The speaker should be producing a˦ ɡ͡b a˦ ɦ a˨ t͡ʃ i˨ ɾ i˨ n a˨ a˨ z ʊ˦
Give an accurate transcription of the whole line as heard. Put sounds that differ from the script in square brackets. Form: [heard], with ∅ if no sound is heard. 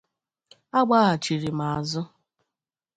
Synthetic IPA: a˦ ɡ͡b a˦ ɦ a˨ t͡ʃ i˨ ɾ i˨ [m] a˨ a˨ z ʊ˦